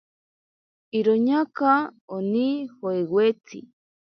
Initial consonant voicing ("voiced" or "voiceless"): voiced